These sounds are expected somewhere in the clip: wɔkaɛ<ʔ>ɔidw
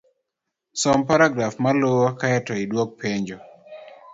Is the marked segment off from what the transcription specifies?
yes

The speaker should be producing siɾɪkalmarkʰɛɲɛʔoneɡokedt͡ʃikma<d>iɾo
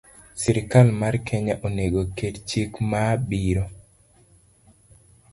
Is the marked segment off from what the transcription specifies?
yes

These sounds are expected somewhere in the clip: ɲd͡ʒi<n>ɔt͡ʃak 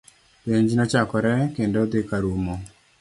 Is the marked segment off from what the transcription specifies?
no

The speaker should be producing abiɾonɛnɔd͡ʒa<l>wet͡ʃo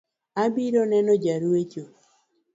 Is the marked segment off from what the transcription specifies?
yes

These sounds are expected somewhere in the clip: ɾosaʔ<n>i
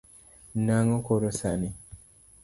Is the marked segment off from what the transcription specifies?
no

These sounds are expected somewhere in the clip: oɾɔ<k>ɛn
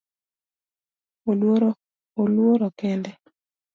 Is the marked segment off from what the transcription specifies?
no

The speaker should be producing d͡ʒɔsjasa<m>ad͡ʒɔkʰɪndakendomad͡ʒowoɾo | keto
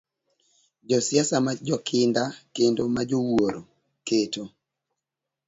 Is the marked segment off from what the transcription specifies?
no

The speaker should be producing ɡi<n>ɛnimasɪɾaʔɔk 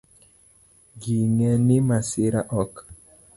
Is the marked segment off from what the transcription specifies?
yes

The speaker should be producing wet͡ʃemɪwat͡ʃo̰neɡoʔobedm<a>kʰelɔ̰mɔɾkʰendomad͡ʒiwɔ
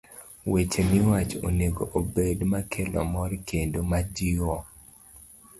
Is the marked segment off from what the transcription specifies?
no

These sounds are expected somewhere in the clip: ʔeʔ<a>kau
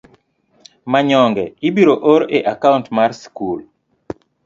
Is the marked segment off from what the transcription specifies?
no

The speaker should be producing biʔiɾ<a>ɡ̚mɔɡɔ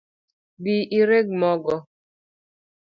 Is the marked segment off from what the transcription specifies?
yes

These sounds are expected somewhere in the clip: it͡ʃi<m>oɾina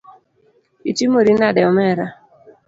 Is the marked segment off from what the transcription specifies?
no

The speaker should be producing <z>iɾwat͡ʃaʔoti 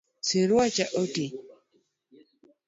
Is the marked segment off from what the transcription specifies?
yes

